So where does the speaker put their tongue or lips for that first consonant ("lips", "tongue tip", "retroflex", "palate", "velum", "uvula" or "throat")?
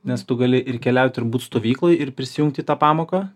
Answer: tongue tip